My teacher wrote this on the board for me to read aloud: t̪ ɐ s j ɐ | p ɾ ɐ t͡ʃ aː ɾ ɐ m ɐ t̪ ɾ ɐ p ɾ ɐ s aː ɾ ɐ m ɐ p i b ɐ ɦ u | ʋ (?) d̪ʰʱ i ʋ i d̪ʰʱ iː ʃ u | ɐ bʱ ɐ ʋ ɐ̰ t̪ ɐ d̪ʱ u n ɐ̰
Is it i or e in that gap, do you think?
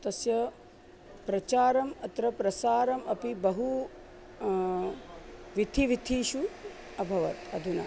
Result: i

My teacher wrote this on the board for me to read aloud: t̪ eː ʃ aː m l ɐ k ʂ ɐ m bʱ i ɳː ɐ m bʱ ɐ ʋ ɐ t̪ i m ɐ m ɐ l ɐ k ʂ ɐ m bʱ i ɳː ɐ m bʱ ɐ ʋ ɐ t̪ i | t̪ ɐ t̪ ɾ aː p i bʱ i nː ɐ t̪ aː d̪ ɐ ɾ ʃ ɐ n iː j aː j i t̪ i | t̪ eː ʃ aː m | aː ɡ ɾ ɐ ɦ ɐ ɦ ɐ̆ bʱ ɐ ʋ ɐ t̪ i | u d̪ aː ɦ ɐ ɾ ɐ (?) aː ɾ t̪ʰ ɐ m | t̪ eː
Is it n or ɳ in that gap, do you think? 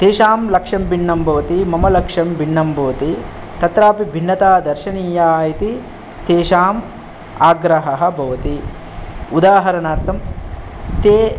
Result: n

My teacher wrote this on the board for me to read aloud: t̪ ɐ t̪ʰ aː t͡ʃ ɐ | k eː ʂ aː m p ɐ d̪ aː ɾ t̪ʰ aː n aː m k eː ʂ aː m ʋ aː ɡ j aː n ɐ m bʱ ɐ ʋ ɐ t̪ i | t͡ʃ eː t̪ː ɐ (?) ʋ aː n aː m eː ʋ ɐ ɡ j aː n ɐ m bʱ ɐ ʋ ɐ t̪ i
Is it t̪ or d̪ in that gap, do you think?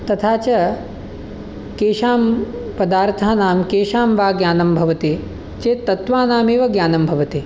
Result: t̪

